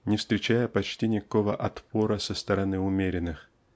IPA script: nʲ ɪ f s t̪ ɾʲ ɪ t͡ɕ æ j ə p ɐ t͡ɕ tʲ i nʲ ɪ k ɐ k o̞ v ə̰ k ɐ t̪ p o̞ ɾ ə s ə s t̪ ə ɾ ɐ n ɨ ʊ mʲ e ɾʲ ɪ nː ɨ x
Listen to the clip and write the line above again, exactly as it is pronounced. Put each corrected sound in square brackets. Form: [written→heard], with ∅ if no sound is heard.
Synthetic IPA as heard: nʲ ɪ f s t̪ ɾʲ ɪ t͡ɕ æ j ə p ɐ t͡ɕ tʲ i nʲ ɪ k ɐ k o̞ v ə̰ [k→ʔ] ɐ t̪ p o̞ ɾ ə s ə s t̪ ə ɾ ɐ n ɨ ʊ mʲ e ɾʲ ɪ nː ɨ x

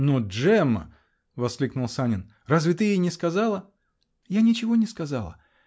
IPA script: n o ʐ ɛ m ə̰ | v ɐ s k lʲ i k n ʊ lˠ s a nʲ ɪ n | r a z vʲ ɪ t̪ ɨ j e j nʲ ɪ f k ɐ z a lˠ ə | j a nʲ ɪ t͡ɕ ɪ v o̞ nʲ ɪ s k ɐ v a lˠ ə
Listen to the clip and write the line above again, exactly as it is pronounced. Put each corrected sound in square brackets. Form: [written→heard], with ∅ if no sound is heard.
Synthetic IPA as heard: n o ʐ ɛ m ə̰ | v ɐ s k lʲ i k n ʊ lˠ s a nʲ ɪ n | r a z vʲ ɪ t̪ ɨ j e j nʲ ɪ [f→s] k ɐ z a lˠ ə | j a nʲ ɪ t͡ɕ ɪ v o̞ nʲ ɪ s k ɐ [v→z] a lˠ ə

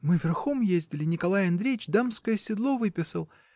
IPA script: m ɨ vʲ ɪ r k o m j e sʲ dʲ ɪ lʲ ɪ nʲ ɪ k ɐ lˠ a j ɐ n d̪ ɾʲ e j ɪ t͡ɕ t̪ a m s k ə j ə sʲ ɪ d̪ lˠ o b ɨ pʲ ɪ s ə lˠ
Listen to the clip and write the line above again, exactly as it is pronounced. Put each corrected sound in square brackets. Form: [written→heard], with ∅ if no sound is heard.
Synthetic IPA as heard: m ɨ vʲ ɪ r [k→x] o m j e [sʲ→zʲ] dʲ ɪ lʲ ɪ nʲ ɪ k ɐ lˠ a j ɐ n d̪ ɾʲ e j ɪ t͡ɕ [t̪→d̪] a m s k ə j ə sʲ ɪ d̪ lˠ o [b→v] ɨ pʲ ɪ s ə lˠ

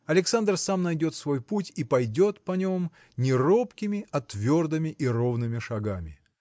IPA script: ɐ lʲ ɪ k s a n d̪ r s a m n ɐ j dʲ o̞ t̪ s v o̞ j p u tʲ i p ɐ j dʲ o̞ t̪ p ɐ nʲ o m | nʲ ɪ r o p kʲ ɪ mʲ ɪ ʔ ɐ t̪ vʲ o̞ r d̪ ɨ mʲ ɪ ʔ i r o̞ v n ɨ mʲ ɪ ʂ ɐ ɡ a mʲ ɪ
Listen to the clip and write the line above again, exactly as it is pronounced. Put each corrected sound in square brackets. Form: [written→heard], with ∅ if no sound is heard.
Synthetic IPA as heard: ɐ lʲ ɪ k s a n d̪ r s a m n ɐ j dʲ o̞ t̪ s v o̞ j p u tʲ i p ɐ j dʲ o̞ t̪ p ɐ nʲ o m | nʲ ɪ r o p kʲ ɪ mʲ ɪ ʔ ɐ t̪ vʲ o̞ r d̪ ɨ mʲ ɪ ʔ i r o̞ v n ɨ mʲ ɪ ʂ ɐ ɡ a mʲ ɪ

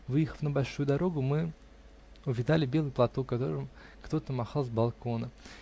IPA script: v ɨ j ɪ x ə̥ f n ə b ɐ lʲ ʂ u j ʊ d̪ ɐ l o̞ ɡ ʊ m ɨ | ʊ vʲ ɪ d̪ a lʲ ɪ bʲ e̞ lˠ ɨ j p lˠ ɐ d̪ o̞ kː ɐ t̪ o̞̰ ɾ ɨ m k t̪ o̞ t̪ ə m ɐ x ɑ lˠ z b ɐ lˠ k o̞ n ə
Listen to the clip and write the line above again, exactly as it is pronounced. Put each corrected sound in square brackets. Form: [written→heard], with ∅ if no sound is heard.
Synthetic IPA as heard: v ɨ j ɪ x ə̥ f n ə b ɐ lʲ ʂ u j ʊ d̪ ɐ [l→ɾ] o̞ ɡ ʊ m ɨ | ʊ vʲ ɪ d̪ a lʲ ɪ bʲ e̞ lˠ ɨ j p lˠ ɐ [d̪→t̪] o̞ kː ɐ t̪ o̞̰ ɾ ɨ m k t̪ o̞ t̪ ə m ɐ x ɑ lˠ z b ɐ lˠ k o̞ n ə

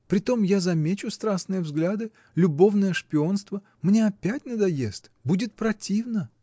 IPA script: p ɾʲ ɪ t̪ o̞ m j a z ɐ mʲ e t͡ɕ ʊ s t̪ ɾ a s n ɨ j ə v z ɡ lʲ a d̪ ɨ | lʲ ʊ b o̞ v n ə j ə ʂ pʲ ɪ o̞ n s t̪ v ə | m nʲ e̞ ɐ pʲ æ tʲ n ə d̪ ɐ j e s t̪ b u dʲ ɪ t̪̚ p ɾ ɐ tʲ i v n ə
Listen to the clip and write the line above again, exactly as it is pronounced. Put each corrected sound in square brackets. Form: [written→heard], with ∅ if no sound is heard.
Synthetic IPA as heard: p ɾʲ ɪ t̪ o̞ m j a z ɐ mʲ e t͡ɕ ʊ s t̪ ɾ a s n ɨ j ə v z ɡ lʲ a d̪ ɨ | lʲ ʊ b o̞ v n ə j ə ʂ pʲ ɪ o̞ n s t̪ v ə | m nʲ e̞ ɐ pʲ æ tʲ n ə d̪ ɐ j e s t̪ b u dʲ ɪ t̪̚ p ɾ ɐ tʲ i v n ə

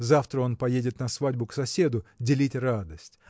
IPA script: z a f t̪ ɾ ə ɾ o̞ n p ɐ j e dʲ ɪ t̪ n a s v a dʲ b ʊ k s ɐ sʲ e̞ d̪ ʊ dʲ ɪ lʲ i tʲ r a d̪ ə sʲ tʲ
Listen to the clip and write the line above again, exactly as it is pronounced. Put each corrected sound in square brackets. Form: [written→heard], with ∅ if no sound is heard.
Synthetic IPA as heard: z a f t̪ ɾ ə [ɾ→∅] o̞ n p ɐ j e dʲ ɪ t̪ n [a→ɐ] s v a dʲ b ʊ k s ɐ sʲ e̞ d̪ ʊ dʲ ɪ lʲ i tʲ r a d̪ ə sʲ tʲ

